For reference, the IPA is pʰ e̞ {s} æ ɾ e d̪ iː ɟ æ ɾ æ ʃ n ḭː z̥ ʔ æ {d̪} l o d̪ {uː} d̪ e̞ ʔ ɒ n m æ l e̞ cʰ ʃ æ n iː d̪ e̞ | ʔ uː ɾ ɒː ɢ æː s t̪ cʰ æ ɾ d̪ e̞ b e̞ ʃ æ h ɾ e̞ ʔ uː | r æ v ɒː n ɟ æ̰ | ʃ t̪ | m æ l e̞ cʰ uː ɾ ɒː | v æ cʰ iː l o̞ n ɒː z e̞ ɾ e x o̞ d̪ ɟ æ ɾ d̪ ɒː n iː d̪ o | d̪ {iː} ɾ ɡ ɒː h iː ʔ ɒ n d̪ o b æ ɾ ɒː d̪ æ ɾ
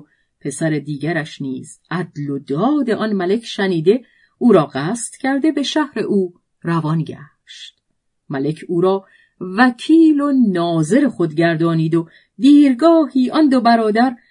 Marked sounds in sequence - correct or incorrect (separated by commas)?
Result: correct, correct, incorrect, correct